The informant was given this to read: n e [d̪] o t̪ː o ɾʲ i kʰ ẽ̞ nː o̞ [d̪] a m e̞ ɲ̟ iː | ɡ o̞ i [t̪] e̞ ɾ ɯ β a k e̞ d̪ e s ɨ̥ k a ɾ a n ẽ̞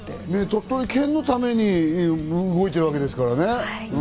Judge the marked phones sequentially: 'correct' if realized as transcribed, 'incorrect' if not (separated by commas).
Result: incorrect, incorrect, correct